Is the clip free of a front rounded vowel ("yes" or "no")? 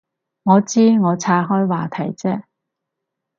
yes